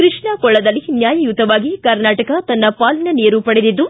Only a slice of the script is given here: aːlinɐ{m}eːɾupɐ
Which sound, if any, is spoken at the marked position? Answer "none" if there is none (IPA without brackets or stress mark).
n